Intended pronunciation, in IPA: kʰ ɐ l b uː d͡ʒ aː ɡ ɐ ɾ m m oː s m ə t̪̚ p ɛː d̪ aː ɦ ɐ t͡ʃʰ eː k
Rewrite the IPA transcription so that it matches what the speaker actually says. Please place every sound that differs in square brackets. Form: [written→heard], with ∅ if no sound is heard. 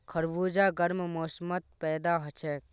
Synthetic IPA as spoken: kʰ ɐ [l→ɾ] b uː d͡ʒ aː ɡ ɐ ɾ m m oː s m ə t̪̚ p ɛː d̪ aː ɦ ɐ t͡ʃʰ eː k

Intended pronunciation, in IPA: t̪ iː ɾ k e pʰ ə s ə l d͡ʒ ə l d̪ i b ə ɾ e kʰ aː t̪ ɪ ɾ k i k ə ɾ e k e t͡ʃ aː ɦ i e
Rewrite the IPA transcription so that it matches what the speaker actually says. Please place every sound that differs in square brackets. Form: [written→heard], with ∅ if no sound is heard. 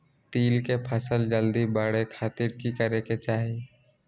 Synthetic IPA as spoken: t̪ iː [ɾ→l] k e pʰ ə s ə l d͡ʒ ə l d̪ i b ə [ɾ→ɽ] e kʰ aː t̪ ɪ ɾ k i k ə ɾ e k e t͡ʃ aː ɦ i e

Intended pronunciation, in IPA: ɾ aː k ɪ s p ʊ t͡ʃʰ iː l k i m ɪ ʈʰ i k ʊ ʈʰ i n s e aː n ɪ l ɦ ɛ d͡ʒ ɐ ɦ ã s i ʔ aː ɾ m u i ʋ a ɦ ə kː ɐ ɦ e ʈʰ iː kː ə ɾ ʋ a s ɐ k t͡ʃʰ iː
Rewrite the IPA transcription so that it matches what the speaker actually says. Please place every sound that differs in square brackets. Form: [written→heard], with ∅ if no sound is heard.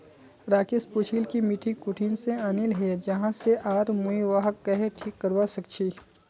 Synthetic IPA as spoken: ɾ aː k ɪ s p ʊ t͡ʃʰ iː l k i m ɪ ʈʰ i k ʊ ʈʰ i n s e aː n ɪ l ɦ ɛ d͡ʒ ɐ ɦ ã s [i→e] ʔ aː ɾ m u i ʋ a ɦ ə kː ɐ ɦ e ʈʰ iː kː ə ɾ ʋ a s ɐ k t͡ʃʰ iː

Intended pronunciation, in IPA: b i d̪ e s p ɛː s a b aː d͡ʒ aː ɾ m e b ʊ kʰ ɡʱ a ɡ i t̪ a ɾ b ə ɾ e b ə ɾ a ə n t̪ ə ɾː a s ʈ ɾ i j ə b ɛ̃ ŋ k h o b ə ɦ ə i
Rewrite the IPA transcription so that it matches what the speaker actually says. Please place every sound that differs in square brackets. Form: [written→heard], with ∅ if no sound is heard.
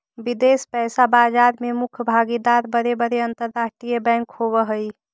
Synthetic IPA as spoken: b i d̪ e s p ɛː s a b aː d͡ʒ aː ɾ m e [b→m] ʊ kʰ [ɡʱ→bʱ] a ɡ i [t̪→d̪] a ɾ b ə ɾ e b ə ɾ [a→e] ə n t̪ ə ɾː a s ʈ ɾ i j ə b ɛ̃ ŋ k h o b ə ɦ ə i

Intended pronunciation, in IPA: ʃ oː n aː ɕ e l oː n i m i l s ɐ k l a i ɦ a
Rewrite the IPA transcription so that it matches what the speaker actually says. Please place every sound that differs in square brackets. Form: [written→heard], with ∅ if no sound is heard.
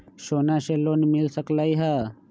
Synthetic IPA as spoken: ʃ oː n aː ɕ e l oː n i m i l s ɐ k l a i ɦ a

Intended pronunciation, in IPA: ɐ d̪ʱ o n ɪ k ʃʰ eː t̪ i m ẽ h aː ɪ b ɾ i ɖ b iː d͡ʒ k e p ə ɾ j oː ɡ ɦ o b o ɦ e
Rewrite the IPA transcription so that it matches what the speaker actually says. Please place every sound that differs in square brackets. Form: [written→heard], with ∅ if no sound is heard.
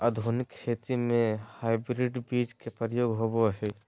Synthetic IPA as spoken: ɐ d̪ʱ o n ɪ k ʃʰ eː t̪ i m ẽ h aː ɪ b ɾ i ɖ b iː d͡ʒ k e p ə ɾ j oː ɡ ɦ o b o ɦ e

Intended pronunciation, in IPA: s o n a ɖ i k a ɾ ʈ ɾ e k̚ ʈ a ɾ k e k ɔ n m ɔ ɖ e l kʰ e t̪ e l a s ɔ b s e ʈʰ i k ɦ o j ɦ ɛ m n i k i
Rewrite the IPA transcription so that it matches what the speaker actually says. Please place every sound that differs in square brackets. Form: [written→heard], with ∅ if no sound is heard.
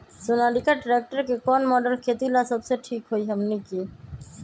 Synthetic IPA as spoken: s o n a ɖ i k a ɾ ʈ ɾ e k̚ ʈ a ɾ k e k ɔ n m ɔ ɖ e l kʰ e t̪ [e→i] l a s ɔ b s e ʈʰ i k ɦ o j ɦ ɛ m n i k i

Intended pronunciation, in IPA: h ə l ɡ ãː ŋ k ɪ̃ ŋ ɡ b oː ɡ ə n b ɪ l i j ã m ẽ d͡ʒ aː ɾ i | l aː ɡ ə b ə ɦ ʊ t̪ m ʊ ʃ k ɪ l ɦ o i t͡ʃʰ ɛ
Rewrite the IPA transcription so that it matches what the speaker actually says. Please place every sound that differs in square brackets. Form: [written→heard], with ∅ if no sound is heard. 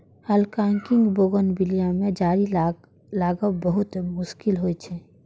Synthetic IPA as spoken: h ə l [ɡ→k] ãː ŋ k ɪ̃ ŋ ɡ b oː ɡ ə n b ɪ l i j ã m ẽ d͡ʒ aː ɾ i | l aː ɡ ə b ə ɦ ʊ t̪ m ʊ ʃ k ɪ l ɦ o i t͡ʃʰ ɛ

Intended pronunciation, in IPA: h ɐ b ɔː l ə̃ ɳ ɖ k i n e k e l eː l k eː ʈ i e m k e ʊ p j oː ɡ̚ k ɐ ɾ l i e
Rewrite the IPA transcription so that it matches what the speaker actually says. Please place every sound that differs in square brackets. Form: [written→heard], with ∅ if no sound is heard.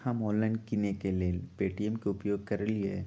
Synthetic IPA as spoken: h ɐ [b→m] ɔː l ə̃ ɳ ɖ k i n e k e l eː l [k→p] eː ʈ i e m k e ʊ p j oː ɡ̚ k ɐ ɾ l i e

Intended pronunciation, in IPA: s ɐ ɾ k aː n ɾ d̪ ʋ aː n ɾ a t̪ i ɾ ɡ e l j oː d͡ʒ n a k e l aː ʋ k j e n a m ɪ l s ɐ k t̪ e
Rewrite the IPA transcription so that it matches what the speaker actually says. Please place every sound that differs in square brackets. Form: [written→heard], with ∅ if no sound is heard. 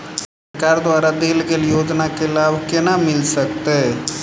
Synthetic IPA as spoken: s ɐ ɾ k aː [n→∅] ɾ d̪ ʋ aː [n→∅] ɾ a [t̪→d̪] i [ɾ→l] ɡ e l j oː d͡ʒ n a k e l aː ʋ k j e n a m ɪ l s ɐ k t̪ e

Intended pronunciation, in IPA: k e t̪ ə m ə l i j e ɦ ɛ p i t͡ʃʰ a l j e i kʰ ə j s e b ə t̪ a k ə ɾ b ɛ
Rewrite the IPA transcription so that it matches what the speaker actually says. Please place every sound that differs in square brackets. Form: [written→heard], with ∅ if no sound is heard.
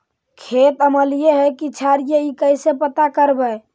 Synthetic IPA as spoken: [k→kʰ] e t̪ ə m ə l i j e ɦ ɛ [p→k] i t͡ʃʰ a [l→ɾ] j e i [kʰ→k] ə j s e [b→p] ə t̪ a k ə ɾ b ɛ

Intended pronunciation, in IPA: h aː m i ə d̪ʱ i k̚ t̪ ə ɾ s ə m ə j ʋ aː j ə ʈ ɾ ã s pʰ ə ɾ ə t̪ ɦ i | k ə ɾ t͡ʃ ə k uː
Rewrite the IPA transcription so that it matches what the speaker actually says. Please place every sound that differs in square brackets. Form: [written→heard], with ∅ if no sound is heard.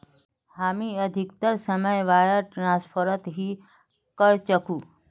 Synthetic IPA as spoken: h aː m i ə d̪ʱ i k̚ t̪ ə ɾ s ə m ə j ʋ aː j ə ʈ ɾ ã s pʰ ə ɾ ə t̪ ɦ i | k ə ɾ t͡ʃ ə k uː

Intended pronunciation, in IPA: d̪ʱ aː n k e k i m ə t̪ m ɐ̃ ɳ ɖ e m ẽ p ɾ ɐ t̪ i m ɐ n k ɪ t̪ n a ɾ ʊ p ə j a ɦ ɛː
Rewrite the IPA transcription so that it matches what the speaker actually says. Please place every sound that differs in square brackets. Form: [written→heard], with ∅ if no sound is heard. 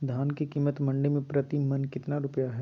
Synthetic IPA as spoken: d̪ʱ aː n k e k [i→iː] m ə t̪ m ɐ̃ ɳ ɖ e m ẽ p ɾ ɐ t̪ i m ɐ n k ɪ t̪ n a ɾ ʊ p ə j a ɦ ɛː

